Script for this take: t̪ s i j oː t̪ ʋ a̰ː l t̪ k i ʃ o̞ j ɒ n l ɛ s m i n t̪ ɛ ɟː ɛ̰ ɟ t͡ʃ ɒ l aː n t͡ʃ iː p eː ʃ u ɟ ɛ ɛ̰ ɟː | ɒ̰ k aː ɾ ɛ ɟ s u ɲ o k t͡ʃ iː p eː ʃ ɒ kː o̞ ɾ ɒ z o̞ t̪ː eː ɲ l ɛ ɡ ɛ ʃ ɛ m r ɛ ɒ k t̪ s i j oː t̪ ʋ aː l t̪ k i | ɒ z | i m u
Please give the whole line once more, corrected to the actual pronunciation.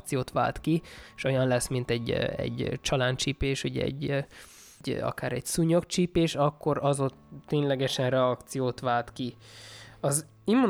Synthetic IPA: t̪ s i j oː t̪ ʋ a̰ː l t̪ k i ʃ o̞ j ɒ n l ɛ s m i n t̪ ɛ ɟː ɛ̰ ɟ t͡ʃ ɒ l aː n t͡ʃ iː p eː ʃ u ɟ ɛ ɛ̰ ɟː | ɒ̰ k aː ɾ ɛ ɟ s u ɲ o k t͡ʃ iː p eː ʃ ɒ kː o̞ ɾ ɒ z o̞ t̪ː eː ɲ l ɛ ɡ ɛ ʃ ɛ n r ɛ ɒ k t̪ s i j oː t̪ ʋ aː l t̪ k i | ɒ z | i m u